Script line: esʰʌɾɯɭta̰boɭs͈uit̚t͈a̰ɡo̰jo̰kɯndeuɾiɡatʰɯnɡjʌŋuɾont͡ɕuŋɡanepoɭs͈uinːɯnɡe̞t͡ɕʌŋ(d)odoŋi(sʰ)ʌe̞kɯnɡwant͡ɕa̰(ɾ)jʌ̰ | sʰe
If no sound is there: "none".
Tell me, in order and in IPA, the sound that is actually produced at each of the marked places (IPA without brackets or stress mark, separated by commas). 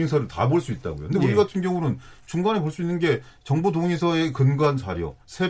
b, sʰ, ɾ